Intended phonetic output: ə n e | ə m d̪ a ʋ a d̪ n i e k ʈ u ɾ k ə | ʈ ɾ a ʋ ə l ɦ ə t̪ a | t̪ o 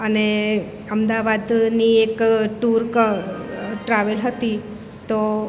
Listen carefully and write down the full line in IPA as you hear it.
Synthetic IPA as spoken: ə n e | ə m d̪ a ʋ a d̪ n i e k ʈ u ɾ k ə | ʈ ɾ a ʋ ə l ɦ ə t̪ i | t̪ o